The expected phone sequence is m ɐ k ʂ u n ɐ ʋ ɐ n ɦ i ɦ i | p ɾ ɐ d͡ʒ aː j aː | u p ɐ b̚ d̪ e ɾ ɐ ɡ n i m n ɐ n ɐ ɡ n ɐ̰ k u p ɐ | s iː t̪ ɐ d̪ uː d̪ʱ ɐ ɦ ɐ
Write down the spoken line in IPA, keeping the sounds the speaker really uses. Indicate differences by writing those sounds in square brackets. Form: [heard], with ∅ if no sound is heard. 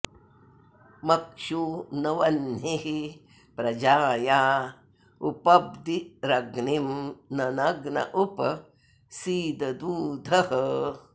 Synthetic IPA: m ɐ k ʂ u n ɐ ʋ ɐ n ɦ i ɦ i | p ɾ ɐ d͡ʒ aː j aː | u p ɐ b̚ d̪ [i] ɾ ɐ ɡ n i m n ɐ n ɐ ɡ n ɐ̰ [ʔ] u p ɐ | s iː [d̪] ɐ d̪ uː d̪ʱ ɐ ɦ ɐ